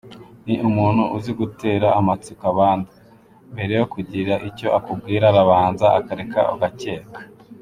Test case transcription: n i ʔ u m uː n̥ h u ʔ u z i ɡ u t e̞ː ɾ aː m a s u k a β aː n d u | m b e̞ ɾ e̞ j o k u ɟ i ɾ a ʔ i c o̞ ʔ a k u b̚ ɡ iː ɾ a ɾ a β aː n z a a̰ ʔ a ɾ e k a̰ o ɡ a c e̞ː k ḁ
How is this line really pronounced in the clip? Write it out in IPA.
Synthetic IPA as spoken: n i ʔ u m uː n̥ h u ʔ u z i ɡ u t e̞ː ɾ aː m a t͡s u k a β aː n d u | m b e̞ ɾ e̞ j o k u ɟ i ɾ a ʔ i c o̞ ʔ a k u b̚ ɡ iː ɾ a ɾ a β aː n z a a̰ k a ɾ e k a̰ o ɡ a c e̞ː k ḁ

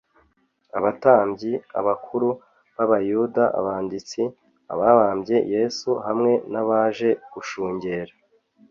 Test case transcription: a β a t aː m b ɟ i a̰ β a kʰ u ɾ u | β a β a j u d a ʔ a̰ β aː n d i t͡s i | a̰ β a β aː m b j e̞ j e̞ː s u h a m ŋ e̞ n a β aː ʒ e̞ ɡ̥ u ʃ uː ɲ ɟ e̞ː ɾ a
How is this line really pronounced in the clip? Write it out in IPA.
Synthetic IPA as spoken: a β a t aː m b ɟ i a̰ β a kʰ u ɾ u | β a β a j u d a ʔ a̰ β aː n d i t͡s i | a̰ β a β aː m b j e̞ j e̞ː s u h a m ŋ e̞ n a β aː ʒ e̞ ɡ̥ u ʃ uː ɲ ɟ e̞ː ɾ a

